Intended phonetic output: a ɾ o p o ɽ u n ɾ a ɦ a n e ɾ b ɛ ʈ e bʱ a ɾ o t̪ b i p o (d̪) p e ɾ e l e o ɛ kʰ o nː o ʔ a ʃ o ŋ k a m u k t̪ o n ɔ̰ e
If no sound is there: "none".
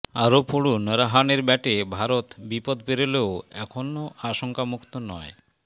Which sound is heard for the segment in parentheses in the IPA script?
d̪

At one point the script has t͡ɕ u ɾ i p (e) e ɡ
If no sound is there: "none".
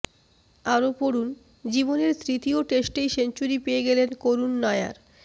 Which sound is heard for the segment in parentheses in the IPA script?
e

